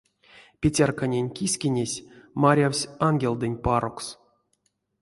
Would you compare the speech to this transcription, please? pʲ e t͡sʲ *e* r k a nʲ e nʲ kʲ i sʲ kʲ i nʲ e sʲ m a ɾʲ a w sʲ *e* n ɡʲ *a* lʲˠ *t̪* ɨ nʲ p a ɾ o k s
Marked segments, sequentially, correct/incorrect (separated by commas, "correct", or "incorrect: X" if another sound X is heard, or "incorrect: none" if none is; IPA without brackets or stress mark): incorrect: a, incorrect: a, incorrect: e, incorrect: d̪